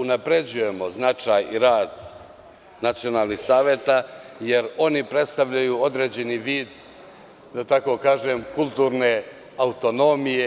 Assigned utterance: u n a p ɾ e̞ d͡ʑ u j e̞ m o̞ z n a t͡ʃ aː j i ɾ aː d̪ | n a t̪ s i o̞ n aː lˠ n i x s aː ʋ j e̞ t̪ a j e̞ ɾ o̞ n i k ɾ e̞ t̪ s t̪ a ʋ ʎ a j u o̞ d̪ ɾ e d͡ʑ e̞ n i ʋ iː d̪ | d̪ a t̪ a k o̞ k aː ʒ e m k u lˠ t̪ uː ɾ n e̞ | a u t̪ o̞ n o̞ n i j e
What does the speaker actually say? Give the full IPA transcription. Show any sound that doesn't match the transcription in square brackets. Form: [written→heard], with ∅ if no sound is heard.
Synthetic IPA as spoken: u n a p ɾ e̞ d͡ʑ u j e̞ m o̞ z n a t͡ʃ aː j i ɾ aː d̪ | n a t̪ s i o̞ n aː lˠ n i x s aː ʋ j e̞ t̪ a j e̞ ɾ o̞ n i [k→p] ɾ e̞ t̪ s t̪ a ʋ ʎ a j u o̞ d̪ ɾ e d͡ʑ e̞ n i ʋ iː d̪ | d̪ a t̪ a k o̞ k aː ʒ e m k u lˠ t̪ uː ɾ n e̞ | a u t̪ o̞ n o̞ [n→m] i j e